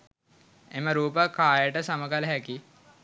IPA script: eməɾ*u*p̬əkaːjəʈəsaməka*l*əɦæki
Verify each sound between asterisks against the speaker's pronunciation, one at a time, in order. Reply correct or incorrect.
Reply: incorrect, correct

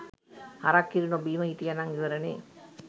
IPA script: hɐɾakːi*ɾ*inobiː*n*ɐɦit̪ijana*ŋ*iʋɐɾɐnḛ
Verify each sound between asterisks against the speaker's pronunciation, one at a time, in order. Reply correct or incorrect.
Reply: correct, incorrect, correct

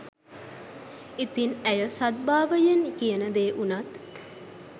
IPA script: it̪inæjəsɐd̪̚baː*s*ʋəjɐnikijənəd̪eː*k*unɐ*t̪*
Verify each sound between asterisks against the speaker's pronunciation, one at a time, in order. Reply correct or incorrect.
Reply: incorrect, incorrect, correct

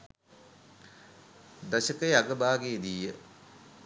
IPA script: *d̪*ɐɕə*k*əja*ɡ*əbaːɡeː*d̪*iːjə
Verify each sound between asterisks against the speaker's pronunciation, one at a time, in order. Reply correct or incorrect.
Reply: correct, correct, correct, correct

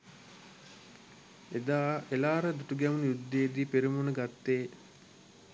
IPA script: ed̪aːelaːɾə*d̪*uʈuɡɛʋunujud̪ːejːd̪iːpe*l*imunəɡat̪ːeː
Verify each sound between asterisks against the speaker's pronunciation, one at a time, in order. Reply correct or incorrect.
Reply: correct, incorrect

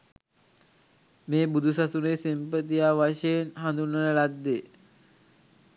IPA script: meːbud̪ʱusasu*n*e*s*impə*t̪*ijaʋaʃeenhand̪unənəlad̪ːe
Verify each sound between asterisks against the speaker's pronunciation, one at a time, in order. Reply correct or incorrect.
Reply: correct, correct, correct

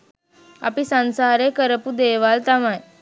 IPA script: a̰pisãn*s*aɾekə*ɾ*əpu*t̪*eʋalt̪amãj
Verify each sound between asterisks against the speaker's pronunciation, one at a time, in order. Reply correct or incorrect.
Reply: correct, correct, incorrect

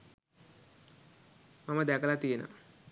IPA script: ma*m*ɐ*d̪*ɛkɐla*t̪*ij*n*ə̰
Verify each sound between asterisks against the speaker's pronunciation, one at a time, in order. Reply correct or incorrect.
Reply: correct, correct, correct, correct

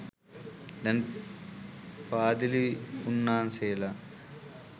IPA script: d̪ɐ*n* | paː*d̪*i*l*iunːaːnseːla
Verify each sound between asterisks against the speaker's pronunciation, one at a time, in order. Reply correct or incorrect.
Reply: correct, correct, correct

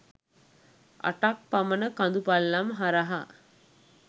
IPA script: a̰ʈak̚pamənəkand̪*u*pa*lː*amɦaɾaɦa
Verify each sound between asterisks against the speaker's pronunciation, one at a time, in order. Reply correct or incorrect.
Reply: correct, correct

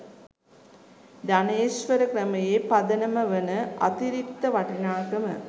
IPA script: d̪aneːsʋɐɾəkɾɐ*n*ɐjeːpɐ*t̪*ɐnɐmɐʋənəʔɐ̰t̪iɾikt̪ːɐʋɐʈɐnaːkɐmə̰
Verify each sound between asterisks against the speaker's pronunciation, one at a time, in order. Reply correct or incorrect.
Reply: incorrect, incorrect

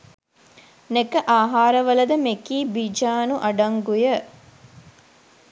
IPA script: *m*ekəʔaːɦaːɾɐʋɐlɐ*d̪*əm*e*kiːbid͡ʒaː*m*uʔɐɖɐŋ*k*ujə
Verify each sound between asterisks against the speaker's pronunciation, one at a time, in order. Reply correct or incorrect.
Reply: incorrect, correct, correct, incorrect, incorrect

